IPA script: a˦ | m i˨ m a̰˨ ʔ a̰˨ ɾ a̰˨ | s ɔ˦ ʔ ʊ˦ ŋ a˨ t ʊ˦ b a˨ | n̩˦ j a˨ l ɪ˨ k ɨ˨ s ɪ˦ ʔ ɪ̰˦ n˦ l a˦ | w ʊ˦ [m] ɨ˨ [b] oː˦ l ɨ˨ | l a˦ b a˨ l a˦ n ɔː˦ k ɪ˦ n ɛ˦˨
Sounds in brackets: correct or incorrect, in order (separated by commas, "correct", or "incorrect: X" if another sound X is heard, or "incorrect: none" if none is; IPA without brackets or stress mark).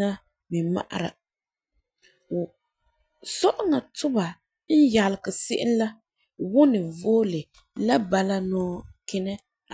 incorrect: n, incorrect: v